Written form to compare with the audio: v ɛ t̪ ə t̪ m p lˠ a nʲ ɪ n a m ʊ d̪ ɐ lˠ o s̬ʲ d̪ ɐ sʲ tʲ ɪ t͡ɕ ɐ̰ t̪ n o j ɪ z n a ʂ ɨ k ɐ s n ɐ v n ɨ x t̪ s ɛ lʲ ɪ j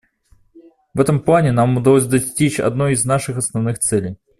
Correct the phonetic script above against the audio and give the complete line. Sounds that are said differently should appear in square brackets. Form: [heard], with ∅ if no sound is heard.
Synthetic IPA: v ɛ t̪ ə [∅] m p lˠ a nʲ ɪ n a m ʊ d̪ ɐ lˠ o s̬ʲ d̪ ɐ sʲ tʲ [i] t͡ɕ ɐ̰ [d̪] n o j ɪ z n a ʂ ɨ [x] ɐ s n ɐ v n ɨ x t̪ s ɛ lʲ ɪ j

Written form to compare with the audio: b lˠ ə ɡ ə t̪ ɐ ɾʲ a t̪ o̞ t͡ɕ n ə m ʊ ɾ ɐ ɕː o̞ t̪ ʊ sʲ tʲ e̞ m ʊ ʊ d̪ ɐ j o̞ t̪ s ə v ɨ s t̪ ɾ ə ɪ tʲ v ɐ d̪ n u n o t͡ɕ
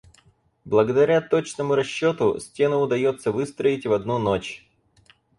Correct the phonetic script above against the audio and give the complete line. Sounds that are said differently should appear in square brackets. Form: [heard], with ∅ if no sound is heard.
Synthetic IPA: b lˠ ə ɡ ə [d̪] ɐ ɾʲ a t̪ o̞ t͡ɕ n ə m ʊ ɾ ɐ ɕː o̞ t̪ ʊ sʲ tʲ e̞ [n] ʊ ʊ d̪ ɐ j o̞ t̪ s ə v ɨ s t̪ ɾ ə ɪ tʲ v ɐ d̪ n u n o t͡ɕ

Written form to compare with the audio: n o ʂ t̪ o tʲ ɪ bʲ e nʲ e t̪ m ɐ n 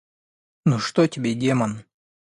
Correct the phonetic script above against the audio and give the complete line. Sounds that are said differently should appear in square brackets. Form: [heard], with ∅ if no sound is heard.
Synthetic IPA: n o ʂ t̪ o tʲ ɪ bʲ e [dʲ] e [∅] m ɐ n

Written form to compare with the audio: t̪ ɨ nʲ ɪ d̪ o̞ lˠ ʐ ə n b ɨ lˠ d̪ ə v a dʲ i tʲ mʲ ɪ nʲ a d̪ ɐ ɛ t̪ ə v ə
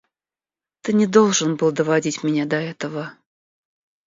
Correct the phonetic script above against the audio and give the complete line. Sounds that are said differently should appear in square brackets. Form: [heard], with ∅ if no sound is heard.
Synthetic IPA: t̪ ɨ nʲ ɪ d̪ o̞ lˠ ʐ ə n b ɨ lˠ d̪ ə v a dʲ i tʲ mʲ ɪ nʲ a d̪ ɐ ɛ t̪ ə v ə

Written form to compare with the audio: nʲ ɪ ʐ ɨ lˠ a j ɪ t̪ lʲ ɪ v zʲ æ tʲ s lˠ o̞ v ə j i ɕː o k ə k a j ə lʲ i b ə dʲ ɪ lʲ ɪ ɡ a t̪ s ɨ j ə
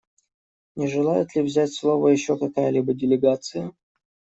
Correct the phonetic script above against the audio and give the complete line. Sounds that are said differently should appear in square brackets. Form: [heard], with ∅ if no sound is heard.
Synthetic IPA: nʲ ɪ ʐ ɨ lˠ a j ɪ t̪ lʲ ɪ v zʲ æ tʲ s lˠ o̞ v ə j [ɪ] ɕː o k [ɐ] k a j ə lʲ i b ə dʲ ɪ lʲ ɪ ɡ a t̪ s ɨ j ə

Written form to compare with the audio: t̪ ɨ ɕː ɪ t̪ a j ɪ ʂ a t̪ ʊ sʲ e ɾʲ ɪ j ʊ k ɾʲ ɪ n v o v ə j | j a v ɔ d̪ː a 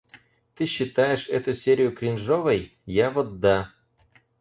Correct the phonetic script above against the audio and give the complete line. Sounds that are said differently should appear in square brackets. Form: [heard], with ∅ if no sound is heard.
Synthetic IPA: t̪ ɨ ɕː ɪ t̪ a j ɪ ʂ [ɛ] t̪ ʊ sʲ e ɾʲ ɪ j ʊ k ɾʲ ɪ n [ʐ] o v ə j | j a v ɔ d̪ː a

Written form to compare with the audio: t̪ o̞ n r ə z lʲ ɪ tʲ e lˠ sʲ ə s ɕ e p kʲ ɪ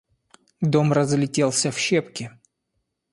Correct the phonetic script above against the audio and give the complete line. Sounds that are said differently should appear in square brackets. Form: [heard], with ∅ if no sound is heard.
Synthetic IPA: [d̪] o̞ [m] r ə z lʲ ɪ tʲ e lˠ sʲ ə [f] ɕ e p kʲ ɪ

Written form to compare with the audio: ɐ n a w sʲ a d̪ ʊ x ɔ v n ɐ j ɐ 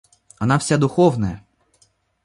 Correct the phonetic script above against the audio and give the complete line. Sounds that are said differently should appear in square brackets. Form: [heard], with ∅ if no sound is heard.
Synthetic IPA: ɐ n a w sʲ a d̪ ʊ x ɔ [w] n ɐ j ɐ

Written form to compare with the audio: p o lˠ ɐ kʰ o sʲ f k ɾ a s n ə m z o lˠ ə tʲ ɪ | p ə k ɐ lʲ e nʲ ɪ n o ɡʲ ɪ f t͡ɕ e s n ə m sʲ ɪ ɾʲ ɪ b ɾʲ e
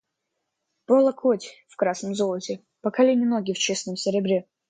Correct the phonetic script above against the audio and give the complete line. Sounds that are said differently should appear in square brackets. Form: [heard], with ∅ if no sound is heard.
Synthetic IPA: p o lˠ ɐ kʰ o [tʲ] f k ɾ a s n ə m z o lˠ ə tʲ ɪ | p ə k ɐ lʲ e nʲ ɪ n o ɡʲ ɪ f t͡ɕ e s n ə m sʲ ɪ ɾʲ ɪ b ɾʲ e

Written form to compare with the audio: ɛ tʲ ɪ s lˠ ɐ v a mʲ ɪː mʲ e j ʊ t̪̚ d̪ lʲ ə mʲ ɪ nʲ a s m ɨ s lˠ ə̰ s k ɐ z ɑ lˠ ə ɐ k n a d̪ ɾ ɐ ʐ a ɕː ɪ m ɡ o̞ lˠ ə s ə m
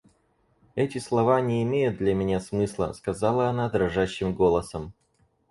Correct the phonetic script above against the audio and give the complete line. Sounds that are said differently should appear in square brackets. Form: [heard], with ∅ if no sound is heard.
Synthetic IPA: ɛ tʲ ɪ s lˠ ɐ v a [nʲ] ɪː mʲ e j ʊ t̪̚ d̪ lʲ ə mʲ ɪ nʲ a s m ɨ s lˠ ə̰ s k ɐ z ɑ lˠ ə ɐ [∅] n a d̪ ɾ ɐ ʐ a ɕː ɪ m ɡ o̞ lˠ ə s ə m

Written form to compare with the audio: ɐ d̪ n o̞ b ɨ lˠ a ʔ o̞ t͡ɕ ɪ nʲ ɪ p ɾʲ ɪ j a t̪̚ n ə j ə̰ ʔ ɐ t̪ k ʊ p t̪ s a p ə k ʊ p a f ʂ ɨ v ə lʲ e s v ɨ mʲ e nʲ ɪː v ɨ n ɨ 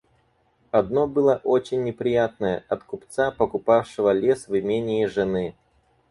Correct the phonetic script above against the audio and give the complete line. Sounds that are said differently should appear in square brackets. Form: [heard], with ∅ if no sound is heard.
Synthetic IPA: ɐ d̪ n o̞ b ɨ lˠ [ə] ʔ o̞ t͡ɕ ɪ [nʲː] ɪ p ɾʲ ɪ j a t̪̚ n ə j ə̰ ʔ ɐ t̪ k ʊ p t̪ s a p ə k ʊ p a f ʂ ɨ v ə lʲ e s v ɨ mʲ e nʲ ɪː [ʐ] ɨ n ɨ

